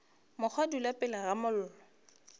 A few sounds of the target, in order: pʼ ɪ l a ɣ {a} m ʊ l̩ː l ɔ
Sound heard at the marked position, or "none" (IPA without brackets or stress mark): a